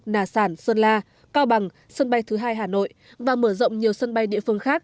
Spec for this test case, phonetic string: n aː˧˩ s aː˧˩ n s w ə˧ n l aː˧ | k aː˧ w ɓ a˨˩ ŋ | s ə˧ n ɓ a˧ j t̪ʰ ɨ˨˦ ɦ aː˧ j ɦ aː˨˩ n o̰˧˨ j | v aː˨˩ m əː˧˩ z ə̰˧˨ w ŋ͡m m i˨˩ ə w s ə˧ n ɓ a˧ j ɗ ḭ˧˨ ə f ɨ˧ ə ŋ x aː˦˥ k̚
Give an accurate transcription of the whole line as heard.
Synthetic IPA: n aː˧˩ s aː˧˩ n s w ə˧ n l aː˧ | k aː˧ w ɓ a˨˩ ŋ | s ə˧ n ɓ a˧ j t̪ʰ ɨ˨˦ ɦ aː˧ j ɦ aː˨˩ n o̰˧˨ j | v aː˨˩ m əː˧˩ z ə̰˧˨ w ŋ͡m ɲ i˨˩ ə w s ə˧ n ɓ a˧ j ɗ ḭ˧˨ ə f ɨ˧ ə ŋ x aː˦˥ k̚